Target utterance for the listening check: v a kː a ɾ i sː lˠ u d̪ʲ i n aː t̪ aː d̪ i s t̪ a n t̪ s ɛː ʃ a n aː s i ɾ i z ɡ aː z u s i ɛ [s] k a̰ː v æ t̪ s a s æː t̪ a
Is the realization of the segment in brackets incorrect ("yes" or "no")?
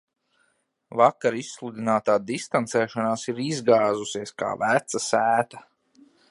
no